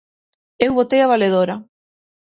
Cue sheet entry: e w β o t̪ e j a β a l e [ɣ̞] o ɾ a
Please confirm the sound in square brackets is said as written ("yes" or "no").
no